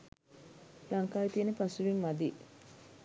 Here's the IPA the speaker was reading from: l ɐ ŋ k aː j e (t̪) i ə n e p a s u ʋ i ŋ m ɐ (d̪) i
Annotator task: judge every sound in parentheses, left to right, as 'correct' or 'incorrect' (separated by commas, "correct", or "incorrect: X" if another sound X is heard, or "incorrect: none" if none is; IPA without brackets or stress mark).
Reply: correct, correct